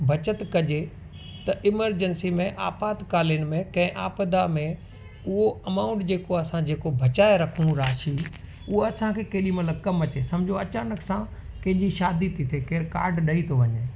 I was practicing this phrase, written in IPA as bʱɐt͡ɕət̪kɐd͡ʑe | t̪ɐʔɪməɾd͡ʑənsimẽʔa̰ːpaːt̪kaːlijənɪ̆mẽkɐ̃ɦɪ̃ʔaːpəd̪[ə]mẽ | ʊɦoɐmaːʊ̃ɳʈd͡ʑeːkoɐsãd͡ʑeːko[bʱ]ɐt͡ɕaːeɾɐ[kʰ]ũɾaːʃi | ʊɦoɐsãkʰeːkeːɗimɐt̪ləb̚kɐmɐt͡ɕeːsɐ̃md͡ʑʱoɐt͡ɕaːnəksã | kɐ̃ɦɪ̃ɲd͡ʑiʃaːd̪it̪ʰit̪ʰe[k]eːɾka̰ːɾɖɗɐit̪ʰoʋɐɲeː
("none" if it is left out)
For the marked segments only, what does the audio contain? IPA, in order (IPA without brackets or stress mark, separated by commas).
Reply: a, bʱ, kʰ, k